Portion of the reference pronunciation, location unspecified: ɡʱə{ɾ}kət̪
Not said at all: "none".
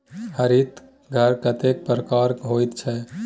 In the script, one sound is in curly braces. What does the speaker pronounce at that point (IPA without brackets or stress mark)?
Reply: ɾ